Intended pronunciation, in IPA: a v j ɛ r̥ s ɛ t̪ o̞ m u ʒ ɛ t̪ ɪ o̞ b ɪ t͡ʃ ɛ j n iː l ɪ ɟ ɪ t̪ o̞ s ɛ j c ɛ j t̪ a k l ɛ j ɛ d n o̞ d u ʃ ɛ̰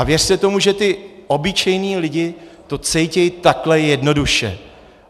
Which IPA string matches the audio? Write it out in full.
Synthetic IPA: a v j ɛ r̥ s ɛ t̪ o̞ m u ʒ ɛ t̪ ɪ o̞ b ɪ t͡ʃ ɛ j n iː l ɪ ɟ ɪ t̪ o̞ t͡s ɛ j c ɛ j t̪ a k l ɛ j ɛ d n o̞ d u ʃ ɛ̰